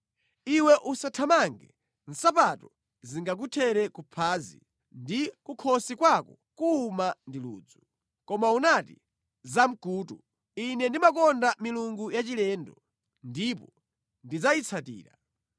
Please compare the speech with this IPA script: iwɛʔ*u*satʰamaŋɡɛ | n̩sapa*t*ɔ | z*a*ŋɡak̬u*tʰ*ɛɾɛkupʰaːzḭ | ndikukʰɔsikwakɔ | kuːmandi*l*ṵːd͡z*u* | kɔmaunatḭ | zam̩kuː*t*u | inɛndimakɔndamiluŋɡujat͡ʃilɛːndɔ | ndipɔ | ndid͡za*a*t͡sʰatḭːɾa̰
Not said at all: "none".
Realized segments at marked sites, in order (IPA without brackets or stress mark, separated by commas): u, t, i, tʰ, l, u, t, i